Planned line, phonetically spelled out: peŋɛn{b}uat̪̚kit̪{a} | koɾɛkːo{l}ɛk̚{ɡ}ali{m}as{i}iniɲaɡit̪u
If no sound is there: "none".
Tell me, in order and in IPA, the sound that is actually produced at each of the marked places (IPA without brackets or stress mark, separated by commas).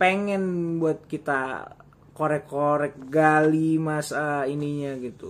b, a, ɾ, ɡ, m, a